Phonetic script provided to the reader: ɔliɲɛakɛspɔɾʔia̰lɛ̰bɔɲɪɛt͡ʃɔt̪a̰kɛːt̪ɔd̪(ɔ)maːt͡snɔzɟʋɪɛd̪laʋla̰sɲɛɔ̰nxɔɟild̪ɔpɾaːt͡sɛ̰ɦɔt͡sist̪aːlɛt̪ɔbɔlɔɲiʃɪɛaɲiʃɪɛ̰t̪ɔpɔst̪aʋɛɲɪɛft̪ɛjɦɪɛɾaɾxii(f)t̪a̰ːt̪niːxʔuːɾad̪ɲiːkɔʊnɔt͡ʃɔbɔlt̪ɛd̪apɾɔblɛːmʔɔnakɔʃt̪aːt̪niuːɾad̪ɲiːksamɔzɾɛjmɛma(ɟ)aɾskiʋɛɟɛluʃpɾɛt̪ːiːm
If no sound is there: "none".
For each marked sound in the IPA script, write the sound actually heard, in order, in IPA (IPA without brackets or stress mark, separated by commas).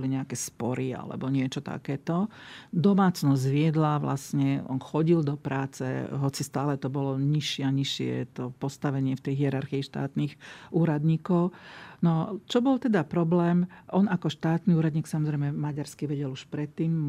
ɔ, ʃ, ɟ